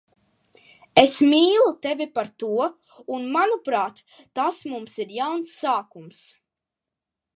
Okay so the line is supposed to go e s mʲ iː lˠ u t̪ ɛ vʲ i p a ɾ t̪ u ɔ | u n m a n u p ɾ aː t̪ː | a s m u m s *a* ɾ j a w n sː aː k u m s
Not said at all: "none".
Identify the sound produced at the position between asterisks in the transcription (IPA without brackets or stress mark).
i